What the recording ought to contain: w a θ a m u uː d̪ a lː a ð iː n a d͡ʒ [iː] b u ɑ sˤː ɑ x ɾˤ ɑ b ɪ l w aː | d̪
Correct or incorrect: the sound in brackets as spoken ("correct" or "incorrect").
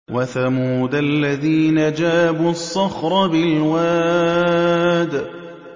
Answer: incorrect